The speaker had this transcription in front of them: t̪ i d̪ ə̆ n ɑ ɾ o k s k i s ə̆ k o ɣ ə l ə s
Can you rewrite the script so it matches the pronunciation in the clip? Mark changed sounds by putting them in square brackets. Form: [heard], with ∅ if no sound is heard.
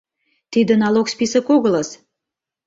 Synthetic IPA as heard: t̪ i d̪ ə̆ n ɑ [l] o k s [p] i s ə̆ k o ɣ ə l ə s